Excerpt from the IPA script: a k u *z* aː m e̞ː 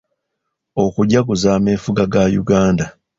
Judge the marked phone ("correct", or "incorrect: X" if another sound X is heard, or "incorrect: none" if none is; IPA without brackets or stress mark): correct